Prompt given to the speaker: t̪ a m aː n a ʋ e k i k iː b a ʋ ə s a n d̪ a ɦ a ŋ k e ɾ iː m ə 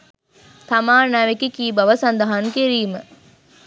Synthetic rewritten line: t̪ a m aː n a ʋ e k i k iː b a ʋ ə s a n d̪ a ɦ a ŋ k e ɾ iː m ə